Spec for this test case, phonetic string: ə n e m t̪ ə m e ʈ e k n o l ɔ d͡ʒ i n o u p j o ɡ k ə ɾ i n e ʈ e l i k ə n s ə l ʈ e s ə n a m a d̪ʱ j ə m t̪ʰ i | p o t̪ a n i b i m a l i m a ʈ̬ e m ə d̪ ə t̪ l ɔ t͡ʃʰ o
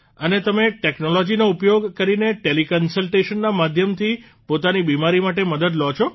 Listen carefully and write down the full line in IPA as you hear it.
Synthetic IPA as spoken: ə n e t̪ ə m e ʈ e k n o l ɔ d͡ʒ i n o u p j o ɡ k ə ɾ i n e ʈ e l i k ə n s ə l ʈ e ʃ ə nː a m a d̪ʱ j ə m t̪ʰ i | p o t̪ a n i b i m a ɾ i m a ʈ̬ e m ə d̪ ə d̪ l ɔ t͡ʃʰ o